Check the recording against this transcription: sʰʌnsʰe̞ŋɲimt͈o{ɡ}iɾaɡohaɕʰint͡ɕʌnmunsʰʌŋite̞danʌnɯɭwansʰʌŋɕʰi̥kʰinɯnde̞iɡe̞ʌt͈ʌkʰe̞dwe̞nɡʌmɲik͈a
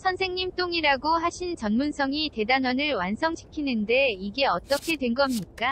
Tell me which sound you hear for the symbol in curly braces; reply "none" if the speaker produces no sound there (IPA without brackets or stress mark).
ŋ